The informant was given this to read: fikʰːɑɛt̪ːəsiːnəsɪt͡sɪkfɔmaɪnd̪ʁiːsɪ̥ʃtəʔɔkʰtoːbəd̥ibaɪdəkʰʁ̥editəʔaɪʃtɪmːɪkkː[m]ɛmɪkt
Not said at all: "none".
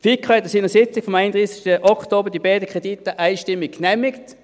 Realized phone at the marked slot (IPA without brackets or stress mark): n